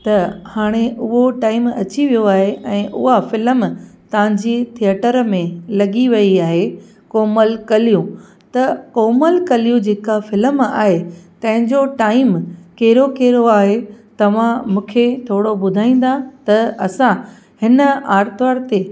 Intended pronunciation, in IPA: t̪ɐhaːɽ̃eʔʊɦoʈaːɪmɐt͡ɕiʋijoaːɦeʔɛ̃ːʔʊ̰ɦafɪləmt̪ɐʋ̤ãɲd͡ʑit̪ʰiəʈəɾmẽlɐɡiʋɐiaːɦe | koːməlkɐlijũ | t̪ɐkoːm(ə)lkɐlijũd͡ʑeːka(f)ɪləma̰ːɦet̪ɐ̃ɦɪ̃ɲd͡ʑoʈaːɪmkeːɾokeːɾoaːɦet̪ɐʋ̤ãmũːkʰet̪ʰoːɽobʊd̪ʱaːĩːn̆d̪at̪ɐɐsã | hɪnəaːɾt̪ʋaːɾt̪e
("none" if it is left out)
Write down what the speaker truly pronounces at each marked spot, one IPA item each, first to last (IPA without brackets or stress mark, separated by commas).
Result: ə, f